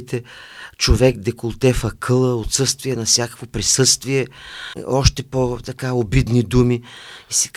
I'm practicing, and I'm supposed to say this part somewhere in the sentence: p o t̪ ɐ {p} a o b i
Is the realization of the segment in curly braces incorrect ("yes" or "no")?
yes